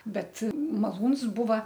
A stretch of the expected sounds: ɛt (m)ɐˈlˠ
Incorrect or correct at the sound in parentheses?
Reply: correct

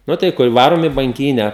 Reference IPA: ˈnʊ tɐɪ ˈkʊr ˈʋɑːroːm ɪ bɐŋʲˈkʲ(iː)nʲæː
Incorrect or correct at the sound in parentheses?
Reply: correct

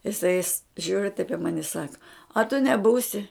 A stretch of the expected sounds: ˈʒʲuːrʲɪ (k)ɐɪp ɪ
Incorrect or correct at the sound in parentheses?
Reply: incorrect: t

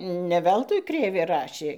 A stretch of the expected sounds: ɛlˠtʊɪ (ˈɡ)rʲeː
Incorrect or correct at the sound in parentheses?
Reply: incorrect: k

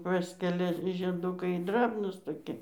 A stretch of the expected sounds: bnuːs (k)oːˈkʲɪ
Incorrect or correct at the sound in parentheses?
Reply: incorrect: t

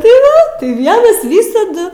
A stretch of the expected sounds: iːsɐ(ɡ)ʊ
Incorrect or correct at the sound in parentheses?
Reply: incorrect: d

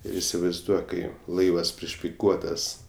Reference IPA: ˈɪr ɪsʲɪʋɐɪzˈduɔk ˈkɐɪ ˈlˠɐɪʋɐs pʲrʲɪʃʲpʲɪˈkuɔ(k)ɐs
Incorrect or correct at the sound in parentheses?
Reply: incorrect: t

